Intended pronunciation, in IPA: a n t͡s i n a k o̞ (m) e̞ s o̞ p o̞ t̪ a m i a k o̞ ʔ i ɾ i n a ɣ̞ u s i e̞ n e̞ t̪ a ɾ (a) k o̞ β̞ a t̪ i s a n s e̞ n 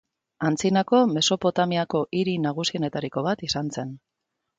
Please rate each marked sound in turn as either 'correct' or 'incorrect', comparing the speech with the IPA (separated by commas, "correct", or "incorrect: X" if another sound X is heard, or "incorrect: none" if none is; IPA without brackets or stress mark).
correct, incorrect: i